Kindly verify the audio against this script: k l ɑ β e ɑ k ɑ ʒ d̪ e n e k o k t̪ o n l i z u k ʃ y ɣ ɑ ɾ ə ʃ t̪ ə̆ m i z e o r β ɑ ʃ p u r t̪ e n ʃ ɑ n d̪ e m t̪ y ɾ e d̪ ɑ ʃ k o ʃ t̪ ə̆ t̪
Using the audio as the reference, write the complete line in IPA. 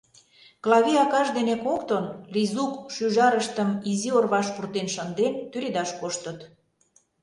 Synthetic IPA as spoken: k l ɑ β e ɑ k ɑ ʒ d̪ e n e k o k t̪ o n l i z u k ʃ y ʒ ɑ ɾ ə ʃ t̪ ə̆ m i z i o r β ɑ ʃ p u r t̪ e n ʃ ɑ n d̪ e n t̪ y ɾ e d̪ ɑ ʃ k o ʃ t̪ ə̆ t̪